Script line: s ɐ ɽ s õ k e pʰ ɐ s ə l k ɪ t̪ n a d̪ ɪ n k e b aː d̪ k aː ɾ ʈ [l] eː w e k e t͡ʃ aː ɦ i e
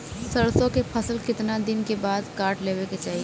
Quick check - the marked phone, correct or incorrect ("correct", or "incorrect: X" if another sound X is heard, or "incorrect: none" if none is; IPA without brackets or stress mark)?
correct